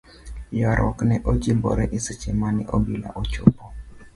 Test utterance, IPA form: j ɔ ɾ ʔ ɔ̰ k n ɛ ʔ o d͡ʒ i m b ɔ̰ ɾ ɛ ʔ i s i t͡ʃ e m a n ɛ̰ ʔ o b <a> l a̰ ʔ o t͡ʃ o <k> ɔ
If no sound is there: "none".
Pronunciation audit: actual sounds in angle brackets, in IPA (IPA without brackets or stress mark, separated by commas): i, p